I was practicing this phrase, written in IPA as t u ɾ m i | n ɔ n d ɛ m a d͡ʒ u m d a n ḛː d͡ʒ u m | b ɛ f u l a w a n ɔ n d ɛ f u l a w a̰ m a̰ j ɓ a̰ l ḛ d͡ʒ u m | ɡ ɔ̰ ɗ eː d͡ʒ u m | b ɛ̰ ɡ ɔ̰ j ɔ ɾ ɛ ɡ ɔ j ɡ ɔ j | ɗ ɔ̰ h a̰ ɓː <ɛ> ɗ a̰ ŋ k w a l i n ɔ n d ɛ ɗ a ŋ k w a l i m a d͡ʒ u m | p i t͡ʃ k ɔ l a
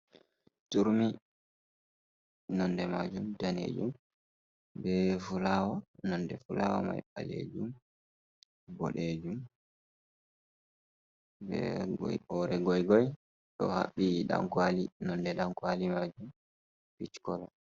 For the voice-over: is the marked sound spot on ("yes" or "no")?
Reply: no